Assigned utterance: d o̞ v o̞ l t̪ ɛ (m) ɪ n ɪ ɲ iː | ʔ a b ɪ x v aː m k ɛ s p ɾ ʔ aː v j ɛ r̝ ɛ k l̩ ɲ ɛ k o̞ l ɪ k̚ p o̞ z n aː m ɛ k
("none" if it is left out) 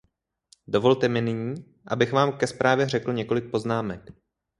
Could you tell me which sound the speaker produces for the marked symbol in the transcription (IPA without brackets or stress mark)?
m